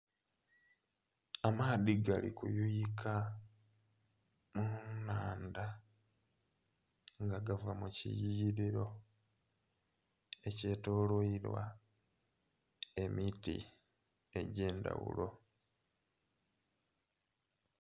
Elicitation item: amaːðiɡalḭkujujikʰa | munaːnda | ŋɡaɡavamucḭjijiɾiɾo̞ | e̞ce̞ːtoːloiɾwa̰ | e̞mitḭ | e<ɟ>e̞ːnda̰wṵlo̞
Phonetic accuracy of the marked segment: correct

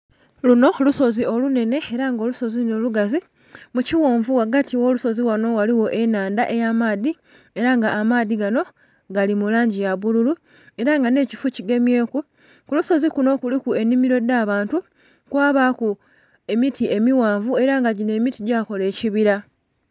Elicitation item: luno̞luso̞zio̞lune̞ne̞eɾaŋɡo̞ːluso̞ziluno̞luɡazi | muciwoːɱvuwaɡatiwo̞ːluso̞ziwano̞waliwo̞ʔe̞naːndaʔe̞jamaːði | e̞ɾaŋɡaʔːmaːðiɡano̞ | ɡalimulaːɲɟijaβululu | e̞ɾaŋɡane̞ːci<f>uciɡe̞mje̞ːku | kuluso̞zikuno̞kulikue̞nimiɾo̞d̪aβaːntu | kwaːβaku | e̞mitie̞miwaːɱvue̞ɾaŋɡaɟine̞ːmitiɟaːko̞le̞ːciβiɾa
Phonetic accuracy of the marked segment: correct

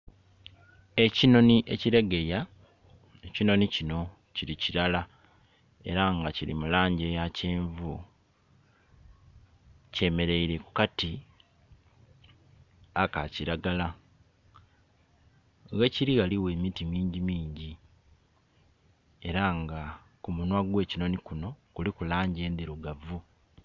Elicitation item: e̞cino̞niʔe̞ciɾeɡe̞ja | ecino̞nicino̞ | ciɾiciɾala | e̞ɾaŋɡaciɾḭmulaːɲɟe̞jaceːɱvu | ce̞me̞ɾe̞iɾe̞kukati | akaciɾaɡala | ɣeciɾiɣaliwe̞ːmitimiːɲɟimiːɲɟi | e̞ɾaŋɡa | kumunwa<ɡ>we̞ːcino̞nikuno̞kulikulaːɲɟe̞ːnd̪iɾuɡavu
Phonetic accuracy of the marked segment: correct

